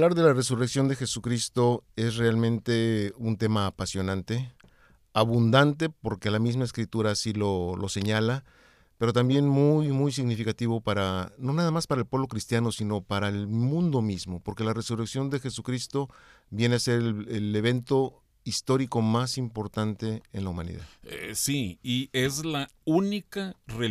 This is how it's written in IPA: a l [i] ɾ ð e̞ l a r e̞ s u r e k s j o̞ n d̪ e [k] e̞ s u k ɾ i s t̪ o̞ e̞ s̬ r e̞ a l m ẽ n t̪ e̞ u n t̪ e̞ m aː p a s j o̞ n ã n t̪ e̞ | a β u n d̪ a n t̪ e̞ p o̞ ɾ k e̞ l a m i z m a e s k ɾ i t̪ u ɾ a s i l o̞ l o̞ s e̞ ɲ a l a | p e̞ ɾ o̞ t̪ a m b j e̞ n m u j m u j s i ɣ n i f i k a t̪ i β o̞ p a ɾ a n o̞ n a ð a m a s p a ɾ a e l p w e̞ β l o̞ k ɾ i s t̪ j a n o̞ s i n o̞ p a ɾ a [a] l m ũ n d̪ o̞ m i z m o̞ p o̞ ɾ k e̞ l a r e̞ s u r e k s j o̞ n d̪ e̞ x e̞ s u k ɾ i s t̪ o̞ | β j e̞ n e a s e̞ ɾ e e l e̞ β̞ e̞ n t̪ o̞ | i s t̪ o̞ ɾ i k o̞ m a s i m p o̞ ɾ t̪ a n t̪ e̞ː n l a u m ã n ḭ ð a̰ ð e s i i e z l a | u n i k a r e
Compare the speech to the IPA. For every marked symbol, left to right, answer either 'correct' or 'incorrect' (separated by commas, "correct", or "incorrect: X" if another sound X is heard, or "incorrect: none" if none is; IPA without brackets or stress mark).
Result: incorrect: a, incorrect: x, incorrect: e